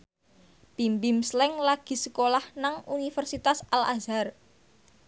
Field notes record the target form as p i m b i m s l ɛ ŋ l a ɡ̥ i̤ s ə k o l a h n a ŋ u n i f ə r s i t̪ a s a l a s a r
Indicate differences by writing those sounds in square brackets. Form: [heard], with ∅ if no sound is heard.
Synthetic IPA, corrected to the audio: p i m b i m s l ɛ ŋ l a ɡ̥ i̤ s ə k o l a h n a ŋ u n i f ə r s i t̪ a s a l a [z] a r